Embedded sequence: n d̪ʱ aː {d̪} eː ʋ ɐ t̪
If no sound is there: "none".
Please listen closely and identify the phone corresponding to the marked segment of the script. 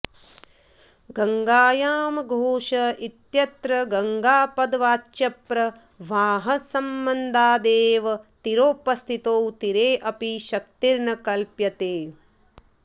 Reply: d̪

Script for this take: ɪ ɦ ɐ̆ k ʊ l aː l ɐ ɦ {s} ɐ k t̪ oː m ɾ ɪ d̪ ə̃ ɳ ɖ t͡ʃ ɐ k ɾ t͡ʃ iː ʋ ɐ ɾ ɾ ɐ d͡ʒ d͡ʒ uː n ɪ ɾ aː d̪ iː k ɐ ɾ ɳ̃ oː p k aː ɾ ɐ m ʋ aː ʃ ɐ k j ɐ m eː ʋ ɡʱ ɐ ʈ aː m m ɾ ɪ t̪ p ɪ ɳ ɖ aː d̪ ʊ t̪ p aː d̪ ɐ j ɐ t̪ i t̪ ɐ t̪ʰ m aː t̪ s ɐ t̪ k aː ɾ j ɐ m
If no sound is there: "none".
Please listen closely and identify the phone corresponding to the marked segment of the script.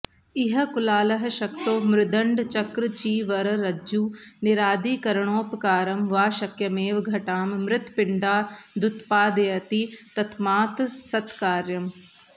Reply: ʃ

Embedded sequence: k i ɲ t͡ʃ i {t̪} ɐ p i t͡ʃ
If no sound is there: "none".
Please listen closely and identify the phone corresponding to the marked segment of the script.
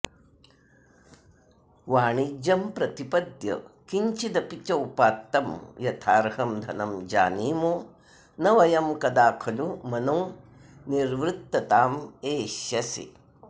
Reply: d̪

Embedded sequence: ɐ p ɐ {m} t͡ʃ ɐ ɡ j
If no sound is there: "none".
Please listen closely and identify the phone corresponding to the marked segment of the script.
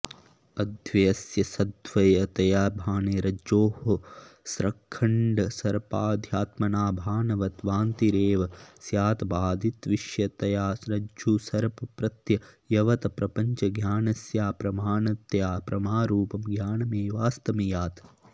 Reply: ɲ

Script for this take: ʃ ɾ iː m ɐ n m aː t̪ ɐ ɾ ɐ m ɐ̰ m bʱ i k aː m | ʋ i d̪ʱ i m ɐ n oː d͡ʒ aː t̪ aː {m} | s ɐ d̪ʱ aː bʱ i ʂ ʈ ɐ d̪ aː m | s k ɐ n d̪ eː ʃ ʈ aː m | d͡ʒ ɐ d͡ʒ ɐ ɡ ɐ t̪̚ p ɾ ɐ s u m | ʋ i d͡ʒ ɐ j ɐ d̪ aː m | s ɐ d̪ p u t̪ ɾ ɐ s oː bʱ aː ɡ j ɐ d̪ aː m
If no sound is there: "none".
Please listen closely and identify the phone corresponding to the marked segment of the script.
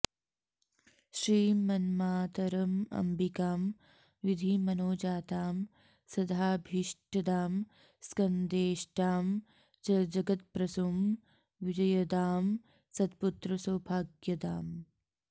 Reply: m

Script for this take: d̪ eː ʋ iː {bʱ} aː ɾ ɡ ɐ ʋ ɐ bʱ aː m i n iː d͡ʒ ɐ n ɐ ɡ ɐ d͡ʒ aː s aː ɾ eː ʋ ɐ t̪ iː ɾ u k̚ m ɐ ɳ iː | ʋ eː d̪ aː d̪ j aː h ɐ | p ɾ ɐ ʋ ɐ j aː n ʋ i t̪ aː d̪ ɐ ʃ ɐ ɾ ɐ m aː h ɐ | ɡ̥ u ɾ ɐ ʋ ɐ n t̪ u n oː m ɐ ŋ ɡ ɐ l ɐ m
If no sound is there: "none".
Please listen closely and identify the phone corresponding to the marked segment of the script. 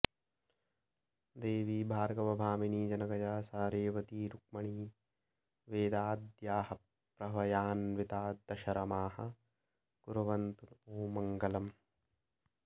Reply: bʱ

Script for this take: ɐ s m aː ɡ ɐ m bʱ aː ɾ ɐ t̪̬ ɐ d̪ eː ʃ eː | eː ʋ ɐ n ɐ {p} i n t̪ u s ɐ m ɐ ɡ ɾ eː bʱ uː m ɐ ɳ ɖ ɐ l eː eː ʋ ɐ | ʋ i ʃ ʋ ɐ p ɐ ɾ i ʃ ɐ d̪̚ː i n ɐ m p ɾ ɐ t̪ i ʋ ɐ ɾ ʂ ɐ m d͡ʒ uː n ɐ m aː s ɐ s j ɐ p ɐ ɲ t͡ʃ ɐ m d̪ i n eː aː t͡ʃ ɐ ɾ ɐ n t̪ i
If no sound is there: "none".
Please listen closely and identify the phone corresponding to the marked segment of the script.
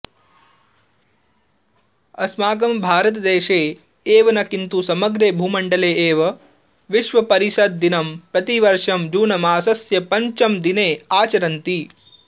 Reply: k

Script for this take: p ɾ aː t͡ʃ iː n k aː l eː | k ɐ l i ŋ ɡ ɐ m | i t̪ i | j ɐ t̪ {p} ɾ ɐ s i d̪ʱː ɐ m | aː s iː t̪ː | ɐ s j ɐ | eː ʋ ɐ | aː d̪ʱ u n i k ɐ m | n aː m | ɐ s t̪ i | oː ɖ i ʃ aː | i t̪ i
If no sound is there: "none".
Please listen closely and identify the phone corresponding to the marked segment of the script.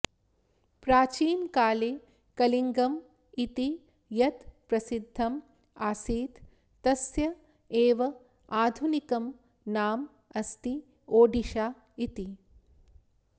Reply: p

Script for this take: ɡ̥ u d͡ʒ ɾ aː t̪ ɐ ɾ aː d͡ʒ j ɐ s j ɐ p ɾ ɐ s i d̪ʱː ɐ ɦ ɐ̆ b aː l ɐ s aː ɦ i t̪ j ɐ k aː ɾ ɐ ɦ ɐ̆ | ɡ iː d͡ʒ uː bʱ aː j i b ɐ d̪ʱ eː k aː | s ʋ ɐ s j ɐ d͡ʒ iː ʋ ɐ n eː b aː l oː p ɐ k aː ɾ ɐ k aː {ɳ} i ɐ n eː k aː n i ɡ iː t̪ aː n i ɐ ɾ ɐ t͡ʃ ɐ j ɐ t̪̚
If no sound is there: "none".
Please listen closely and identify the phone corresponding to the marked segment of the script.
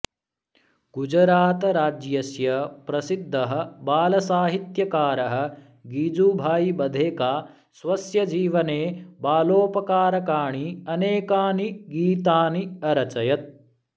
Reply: ɳ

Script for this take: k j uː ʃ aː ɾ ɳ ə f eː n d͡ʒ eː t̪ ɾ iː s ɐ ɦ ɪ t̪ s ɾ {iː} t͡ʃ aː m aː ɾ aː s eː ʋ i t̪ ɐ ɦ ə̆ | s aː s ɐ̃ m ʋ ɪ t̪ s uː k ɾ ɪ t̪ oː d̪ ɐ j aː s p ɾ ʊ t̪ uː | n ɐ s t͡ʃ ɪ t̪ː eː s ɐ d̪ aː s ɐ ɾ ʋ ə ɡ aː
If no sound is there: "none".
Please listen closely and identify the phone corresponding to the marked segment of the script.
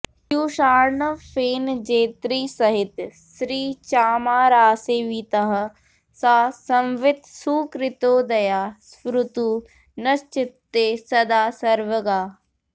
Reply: iː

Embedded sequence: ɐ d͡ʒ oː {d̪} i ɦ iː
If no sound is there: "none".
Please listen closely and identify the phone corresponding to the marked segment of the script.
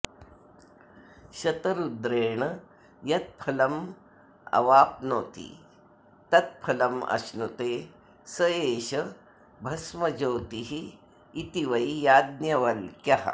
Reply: t̪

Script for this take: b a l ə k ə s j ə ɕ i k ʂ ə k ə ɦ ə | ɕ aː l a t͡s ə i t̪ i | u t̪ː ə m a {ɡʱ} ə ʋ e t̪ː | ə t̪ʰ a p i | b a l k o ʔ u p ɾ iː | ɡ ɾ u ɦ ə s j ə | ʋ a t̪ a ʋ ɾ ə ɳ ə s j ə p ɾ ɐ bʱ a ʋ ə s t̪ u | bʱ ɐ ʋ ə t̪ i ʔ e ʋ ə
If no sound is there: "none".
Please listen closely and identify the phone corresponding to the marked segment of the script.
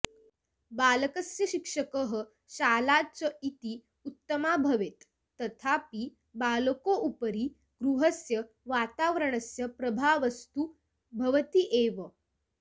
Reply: bʱ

